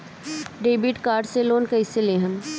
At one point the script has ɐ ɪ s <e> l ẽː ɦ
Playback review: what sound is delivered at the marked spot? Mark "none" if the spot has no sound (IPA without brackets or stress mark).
e